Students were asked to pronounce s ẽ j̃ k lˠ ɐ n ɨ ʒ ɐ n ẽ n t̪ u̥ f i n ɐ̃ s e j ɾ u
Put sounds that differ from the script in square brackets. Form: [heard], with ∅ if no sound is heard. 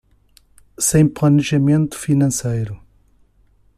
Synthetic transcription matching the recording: s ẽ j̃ [p] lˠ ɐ n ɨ ʒ ɐ [m] ẽ n t̪ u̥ f i n ɐ̃ s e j ɾ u

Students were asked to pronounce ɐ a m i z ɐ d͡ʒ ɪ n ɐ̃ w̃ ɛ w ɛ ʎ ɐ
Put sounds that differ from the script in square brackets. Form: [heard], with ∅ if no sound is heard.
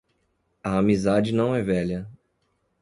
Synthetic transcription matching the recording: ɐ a m i z [a] d͡ʒ ɪ n ɐ̃ w̃ ɛ [v] ɛ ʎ ɐ

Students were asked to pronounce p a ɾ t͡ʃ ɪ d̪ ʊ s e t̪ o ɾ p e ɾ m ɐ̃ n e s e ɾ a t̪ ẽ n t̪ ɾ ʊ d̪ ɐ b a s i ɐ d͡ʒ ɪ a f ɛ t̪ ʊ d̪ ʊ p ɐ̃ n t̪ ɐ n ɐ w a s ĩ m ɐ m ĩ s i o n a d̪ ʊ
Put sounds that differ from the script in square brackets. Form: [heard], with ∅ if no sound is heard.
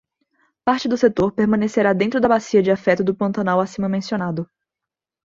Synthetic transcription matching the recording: p a ɾ t͡ʃ ɪ d̪ ʊ s e t̪ o ɾ p e ɾ m ɐ̃ n e s e ɾ a [d̪] ẽ n t̪ ɾ ʊ d̪ ɐ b a s i ɐ d͡ʒ ɪ a f ɛ t̪ ʊ d̪ ʊ p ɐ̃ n t̪ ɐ n [a] w a s ĩ m ɐ m [ẽ] s i o n a d̪ ʊ

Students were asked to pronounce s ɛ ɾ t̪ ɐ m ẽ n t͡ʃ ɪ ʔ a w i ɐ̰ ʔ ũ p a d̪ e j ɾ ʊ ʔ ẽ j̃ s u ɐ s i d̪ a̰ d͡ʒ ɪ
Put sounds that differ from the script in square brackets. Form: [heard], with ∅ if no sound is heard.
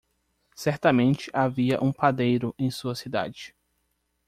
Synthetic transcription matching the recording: s ɛ ɾ t̪ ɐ m ẽ n t͡ʃ ɪ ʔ a [v] i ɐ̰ ʔ ũ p a d̪ e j ɾ ʊ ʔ ẽ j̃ s u ɐ s i d̪ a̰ d͡ʒ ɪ

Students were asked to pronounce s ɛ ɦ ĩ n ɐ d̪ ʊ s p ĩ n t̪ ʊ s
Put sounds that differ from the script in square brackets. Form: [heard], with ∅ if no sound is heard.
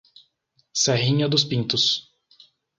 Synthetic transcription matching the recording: s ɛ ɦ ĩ [ɲ] ɐ d̪ ʊ s p ĩ n t̪ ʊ s

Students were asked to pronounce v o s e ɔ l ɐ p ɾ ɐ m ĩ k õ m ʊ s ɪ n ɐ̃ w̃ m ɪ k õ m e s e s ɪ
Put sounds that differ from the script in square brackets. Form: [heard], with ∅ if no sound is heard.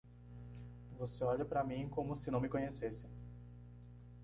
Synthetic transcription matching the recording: v o s e ɔ [ʎ] ɐ p ɾ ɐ m ĩ k õ m ʊ s ɪ n ɐ̃ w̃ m ɪ k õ [ɲ] e s e s ɪ

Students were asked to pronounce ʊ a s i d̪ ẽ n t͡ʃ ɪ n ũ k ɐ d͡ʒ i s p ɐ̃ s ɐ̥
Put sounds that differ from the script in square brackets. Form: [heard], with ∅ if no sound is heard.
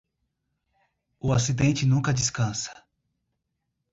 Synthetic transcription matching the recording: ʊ a s i d̪ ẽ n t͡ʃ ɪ n ũ k ɐ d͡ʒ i s [k] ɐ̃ s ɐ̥

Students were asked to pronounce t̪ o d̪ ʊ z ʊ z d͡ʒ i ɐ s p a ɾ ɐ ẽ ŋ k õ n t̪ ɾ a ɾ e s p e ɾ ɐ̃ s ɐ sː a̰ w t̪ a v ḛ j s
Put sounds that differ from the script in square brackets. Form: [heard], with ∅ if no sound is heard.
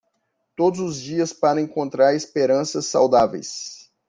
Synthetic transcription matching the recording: t̪ o d̪ ʊ z ʊ z d͡ʒ i ɐ s p a ɾ ɐ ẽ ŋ k õ n t̪ ɾ a ɾ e s p e ɾ ɐ̃ s ɐ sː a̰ w [d̪] a v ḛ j s

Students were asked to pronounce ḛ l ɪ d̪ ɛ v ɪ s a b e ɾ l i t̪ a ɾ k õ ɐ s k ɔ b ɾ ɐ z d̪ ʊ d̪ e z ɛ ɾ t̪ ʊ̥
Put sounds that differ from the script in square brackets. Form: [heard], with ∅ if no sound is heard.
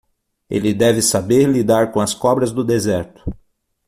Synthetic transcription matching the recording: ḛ l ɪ d̪ ɛ v ɪ s a b e ɾ l i [d̪] a ɾ k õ ɐ s k ɔ b ɾ ɐ z d̪ ʊ d̪ e z ɛ ɾ t̪ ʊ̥

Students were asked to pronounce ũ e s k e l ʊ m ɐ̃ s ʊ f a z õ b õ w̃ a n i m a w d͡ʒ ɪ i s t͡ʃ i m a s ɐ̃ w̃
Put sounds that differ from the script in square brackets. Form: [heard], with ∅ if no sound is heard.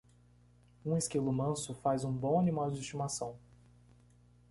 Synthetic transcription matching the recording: ũ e s k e l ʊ m ɐ̃ s ʊ f a z [ũ] b õ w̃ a n i m a w d͡ʒ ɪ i s t͡ʃ i m a s ɐ̃ w̃

